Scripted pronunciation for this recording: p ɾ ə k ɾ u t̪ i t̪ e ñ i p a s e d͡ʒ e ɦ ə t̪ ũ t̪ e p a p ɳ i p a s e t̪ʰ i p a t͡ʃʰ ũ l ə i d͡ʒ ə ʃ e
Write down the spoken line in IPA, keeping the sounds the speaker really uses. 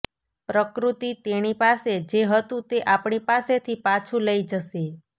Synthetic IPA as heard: p ɾ ə k ɾ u t̪ i t̪ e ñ i p a s e d͡ʒ e ɦ ə t̪ ũ t̪ e ʔ a p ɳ i p a s e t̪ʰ i p a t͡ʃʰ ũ l ə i d͡ʒ ə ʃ e